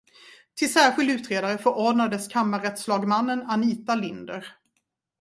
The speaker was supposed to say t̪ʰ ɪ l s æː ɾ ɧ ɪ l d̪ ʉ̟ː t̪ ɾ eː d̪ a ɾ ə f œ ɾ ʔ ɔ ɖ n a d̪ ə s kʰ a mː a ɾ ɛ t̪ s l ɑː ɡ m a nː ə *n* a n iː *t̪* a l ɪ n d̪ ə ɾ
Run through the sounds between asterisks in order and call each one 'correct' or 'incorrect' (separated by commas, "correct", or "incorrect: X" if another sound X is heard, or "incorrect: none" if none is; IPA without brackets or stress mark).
correct, correct